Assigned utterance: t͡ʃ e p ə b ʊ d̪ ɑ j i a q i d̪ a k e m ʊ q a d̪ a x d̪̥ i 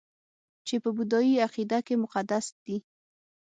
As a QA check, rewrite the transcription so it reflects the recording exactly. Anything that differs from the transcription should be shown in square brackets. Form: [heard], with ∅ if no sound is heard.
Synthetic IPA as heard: t͡ʃ e p ə b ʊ d̪ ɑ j i a q i d̪ a k e m ʊ q a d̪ a [s] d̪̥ i